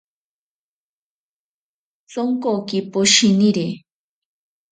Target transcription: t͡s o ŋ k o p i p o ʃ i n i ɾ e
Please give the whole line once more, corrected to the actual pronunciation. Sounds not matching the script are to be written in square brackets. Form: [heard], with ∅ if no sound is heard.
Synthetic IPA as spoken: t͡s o ŋ k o [k] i p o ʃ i n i ɾ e